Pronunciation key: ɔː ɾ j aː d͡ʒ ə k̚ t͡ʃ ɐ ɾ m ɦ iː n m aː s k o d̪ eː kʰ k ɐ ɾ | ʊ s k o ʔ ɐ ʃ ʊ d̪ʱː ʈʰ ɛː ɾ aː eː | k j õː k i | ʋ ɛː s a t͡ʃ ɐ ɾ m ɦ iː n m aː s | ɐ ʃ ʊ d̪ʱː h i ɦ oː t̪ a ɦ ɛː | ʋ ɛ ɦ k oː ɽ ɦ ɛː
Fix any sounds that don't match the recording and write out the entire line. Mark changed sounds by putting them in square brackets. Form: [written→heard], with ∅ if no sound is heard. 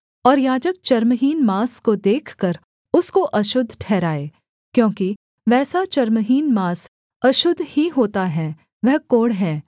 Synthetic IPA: ɔː ɾ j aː d͡ʒ ə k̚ t͡ʃ ɐ ɾ m ɦ iː n m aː s k o d̪ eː kʰ k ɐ ɾ | ʊ s k o ʔ ɐ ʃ ʊ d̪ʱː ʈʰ ɛː ɾ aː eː | k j õː k i | ʋ ɛː s a t͡ʃ ɐ ɾ m ɦ iː n m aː s | ɐ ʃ ʊ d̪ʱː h i ɦ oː t̪ a ɦ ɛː | ʋ ɛ ɦ k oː ɽ ɦ ɛː

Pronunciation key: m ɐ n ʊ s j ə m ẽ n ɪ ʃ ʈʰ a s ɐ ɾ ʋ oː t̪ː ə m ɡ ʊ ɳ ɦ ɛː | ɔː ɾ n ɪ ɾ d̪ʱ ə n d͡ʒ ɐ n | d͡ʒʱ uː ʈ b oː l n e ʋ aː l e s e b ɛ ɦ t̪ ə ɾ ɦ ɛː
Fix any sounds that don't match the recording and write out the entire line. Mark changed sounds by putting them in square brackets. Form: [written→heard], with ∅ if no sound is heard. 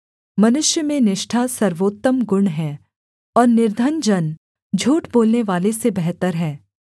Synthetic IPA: m ɐ n ʊ [s→ʃ] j ə m ẽ n ɪ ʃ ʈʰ a s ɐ ɾ ʋ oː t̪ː ə m ɡ ʊ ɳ ɦ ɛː | ɔː ɾ n ɪ ɾ d̪ʱ ə n d͡ʒ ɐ n | d͡ʒʱ uː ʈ b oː l n e ʋ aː l e s e b ɛ ɦ t̪ ə ɾ ɦ ɛː

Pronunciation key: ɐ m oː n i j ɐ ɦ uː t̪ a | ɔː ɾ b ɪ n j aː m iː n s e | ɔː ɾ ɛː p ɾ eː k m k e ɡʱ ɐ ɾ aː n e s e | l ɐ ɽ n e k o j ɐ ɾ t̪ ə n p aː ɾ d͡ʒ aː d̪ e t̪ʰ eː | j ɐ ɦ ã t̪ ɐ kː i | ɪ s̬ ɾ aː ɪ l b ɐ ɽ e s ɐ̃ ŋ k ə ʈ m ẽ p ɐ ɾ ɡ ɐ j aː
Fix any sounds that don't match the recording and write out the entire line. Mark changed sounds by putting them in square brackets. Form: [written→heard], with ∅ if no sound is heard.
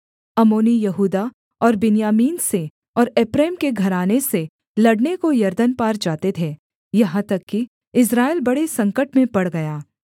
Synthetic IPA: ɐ m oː n i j ɐ ɦ uː [t̪→d̪] a | ɔː ɾ b ɪ n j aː m iː n s e | ɔː ɾ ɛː p ɾ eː [k→∅] m k e ɡʱ ɐ ɾ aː n e s e | l ɐ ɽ n e k o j ɐ ɾ [t̪→d̪] ə n p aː ɾ d͡ʒ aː [d̪→t̪] e t̪ʰ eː | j ɐ ɦ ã t̪ ɐ kː i | ɪ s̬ ɾ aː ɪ l b ɐ ɽ e s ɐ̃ ŋ k ə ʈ m ẽ p ɐ [ɾ→ɽ] ɡ ɐ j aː

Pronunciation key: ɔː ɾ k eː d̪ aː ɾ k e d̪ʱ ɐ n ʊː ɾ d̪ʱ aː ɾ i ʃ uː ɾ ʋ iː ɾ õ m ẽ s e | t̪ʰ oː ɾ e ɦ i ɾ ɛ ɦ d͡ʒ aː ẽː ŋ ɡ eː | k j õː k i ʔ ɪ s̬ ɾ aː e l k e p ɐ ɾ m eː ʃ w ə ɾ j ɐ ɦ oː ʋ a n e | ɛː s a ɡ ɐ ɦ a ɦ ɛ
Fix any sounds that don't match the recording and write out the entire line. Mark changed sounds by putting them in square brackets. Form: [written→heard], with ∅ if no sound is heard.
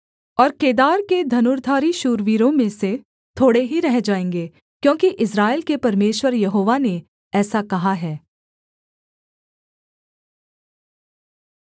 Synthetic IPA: ɔː ɾ k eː d̪ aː ɾ k e d̪ʱ ɐ n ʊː ɾ d̪ʱ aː ɾ i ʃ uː ɾ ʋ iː ɾ õ m ẽ s e | t̪ʰ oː [ɾ→ɽ] e ɦ i ɾ ɛ ɦ d͡ʒ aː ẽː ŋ ɡ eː | k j õː k i ʔ ɪ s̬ ɾ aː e l k e p ɐ ɾ m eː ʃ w ə ɾ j ɐ ɦ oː ʋ a n e | ɛː s a [ɡ→k] ɐ ɦ a ɦ [ɛ→ɛː]

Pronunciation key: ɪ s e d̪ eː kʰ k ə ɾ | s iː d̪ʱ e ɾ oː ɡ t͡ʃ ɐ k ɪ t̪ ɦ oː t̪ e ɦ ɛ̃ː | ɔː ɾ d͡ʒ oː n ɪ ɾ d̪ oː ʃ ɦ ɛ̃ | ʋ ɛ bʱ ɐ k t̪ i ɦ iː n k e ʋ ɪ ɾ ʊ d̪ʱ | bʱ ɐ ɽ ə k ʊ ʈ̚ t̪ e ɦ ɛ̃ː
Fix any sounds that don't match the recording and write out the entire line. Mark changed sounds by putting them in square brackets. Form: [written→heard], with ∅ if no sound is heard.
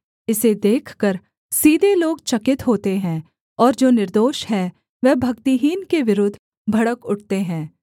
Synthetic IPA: ɪ s e d̪ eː kʰ k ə ɾ | s iː d̪ʱ e [ɾ→l] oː ɡ t͡ʃ ɐ k ɪ t̪ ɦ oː t̪ e ɦ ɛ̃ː | ɔː ɾ d͡ʒ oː n ɪ ɾ d̪ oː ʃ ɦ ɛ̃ | ʋ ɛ bʱ ɐ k t̪ i ɦ iː n k e ʋ ɪ ɾ ʊ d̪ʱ | bʱ ɐ ɽ ə k ʊ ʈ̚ t̪ e ɦ ɛ̃ː

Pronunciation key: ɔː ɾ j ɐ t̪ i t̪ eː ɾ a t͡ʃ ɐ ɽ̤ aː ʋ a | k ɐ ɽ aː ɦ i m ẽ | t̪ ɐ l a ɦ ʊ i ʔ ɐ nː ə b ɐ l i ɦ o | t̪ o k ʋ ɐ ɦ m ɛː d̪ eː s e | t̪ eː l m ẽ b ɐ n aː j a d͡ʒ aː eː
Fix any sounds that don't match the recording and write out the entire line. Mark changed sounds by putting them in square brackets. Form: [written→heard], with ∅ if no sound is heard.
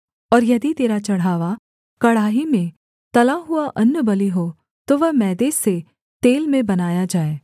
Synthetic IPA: ɔː ɾ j ɐ [t̪→d̪] i t̪ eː ɾ a t͡ʃ ɐ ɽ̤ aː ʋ a | k ɐ ɽ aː ɦ i m ẽ | t̪ ɐ l a ɦ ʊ [i→a] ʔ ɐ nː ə b ɐ l i ɦ o | t̪ o [k→∅] ʋ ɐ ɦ m ɛː d̪ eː s e | t̪ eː l m ẽ b ɐ n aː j a d͡ʒ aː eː

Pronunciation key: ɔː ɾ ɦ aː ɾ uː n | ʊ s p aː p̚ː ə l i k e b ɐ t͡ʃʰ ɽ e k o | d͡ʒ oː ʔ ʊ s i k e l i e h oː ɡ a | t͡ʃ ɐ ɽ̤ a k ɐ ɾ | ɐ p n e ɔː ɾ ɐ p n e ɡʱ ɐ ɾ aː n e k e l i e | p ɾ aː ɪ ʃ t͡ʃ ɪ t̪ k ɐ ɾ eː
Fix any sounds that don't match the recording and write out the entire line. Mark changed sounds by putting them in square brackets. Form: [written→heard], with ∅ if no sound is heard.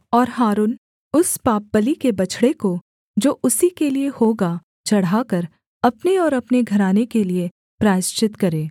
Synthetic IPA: ɔː ɾ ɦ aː ɾ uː n | ʊ s p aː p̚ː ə l i k e b ɐ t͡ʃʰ ɽ e k o | d͡ʒ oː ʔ ʊ s i k e l i e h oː ɡ a | t͡ʃ ɐ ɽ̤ a k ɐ ɾ | ɐ p n e ɔː ɾ ɐ p n e ɡʱ ɐ ɾ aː n e k e l i e | p ɾ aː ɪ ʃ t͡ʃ ɪ t̪ k ɐ ɾ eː

